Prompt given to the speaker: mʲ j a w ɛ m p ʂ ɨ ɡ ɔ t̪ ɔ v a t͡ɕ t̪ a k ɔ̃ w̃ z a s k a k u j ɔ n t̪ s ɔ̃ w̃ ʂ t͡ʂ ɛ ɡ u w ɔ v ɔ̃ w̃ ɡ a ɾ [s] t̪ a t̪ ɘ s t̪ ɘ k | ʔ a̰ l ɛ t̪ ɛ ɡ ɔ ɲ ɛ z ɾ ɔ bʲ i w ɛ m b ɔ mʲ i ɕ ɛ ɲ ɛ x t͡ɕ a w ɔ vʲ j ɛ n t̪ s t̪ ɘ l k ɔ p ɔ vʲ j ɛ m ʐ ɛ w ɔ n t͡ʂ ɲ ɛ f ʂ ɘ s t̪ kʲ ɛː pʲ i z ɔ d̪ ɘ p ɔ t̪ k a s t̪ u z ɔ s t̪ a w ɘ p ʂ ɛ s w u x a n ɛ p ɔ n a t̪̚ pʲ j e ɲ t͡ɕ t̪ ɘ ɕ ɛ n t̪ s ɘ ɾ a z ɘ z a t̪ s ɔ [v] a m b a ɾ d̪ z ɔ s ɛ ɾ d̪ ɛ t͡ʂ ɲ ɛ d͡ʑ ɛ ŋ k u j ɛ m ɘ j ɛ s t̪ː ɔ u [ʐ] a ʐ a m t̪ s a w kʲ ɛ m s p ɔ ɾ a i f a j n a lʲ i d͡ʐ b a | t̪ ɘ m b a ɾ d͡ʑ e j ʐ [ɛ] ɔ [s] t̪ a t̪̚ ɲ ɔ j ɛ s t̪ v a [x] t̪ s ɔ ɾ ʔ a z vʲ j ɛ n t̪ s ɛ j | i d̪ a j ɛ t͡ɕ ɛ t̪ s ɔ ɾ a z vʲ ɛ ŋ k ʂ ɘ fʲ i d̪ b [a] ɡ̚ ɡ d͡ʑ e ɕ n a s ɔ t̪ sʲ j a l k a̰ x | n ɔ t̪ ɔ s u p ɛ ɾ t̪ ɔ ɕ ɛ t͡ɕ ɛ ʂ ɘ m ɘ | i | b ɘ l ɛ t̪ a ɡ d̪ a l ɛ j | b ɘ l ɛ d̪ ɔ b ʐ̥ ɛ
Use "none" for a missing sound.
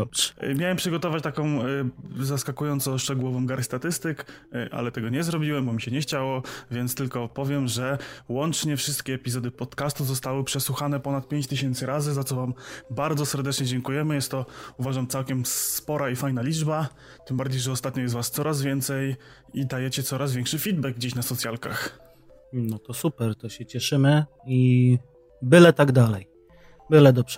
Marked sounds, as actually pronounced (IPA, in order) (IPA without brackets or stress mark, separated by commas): s, v, v, ɛ, s, s, ɛ